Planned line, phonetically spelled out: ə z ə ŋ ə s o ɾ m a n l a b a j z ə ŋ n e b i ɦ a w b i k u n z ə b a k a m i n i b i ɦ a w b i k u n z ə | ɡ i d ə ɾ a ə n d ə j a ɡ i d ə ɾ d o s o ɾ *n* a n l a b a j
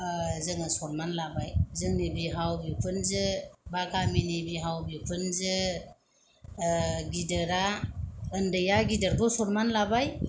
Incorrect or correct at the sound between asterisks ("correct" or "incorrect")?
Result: incorrect